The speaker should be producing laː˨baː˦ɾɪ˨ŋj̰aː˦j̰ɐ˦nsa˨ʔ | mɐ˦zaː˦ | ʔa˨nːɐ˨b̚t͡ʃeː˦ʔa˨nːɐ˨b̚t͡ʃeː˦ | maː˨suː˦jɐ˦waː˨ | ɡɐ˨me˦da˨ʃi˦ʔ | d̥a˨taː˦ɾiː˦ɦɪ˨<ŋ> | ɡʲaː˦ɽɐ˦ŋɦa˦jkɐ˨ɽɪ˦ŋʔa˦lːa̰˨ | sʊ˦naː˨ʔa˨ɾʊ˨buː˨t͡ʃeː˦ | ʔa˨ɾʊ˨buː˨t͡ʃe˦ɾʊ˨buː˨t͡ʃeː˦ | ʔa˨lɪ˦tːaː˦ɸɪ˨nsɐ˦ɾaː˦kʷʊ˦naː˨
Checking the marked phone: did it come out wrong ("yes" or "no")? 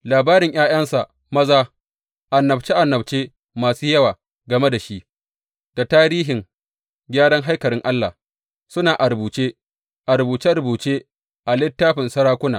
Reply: no